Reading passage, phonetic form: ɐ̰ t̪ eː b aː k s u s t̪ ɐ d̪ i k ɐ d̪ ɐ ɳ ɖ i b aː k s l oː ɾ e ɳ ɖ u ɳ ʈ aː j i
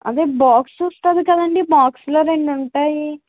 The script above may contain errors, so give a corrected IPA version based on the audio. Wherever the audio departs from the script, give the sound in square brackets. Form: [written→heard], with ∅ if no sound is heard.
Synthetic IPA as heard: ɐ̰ [t̪→d̪] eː b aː k s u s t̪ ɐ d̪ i k ɐ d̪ ɐ ɳ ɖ i b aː k s l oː ɾ e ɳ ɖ u ɳ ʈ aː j i